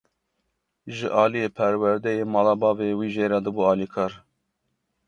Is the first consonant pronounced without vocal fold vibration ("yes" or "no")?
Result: no